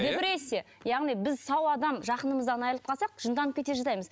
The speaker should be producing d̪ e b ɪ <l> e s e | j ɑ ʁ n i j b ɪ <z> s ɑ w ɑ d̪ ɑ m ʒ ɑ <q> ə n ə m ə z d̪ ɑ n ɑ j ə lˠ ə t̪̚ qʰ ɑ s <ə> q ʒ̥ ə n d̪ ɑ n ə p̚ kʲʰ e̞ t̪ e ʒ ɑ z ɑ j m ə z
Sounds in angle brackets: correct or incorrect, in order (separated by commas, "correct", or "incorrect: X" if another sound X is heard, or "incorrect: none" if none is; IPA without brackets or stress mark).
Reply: incorrect: ɾ, correct, correct, incorrect: ɑ